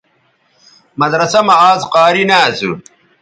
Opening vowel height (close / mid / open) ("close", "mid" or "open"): open